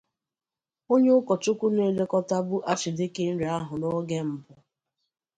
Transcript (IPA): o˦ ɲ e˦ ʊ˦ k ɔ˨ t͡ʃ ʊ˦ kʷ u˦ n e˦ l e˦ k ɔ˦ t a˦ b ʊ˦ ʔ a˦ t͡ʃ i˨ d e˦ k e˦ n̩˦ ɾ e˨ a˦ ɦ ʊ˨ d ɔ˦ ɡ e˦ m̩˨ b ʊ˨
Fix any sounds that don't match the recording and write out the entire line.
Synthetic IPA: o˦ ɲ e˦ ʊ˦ k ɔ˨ t͡ʃ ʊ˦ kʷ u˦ n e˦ l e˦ k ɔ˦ t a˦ b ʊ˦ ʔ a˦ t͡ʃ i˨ d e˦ k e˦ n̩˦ ɾ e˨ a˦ ɦ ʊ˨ n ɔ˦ ɡ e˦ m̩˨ b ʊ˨